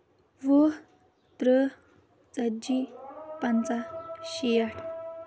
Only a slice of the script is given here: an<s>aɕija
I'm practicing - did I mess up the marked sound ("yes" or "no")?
yes